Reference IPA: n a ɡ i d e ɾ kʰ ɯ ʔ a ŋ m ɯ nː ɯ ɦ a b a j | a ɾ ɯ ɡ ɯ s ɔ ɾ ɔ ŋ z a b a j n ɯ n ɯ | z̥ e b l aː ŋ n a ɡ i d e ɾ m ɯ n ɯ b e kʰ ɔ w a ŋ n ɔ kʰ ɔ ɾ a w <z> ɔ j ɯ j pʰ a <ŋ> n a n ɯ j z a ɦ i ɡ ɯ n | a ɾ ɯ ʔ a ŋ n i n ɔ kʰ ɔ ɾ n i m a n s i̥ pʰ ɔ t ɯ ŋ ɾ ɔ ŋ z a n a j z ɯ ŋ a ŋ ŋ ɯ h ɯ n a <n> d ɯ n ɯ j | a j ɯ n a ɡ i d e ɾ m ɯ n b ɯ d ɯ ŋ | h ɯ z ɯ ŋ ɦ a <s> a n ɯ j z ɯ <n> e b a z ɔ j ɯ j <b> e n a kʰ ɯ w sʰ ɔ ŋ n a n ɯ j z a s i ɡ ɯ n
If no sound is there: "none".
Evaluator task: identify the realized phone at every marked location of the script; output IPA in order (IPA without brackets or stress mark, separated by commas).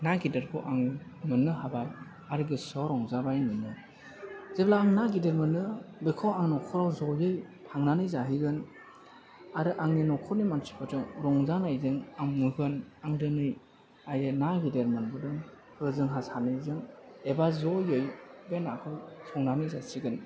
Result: z, ŋ, ŋ, s, ŋ, b